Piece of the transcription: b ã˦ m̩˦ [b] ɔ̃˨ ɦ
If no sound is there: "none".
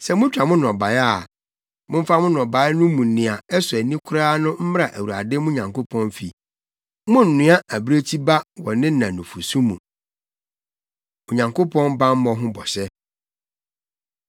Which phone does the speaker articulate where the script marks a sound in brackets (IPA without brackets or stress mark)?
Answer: m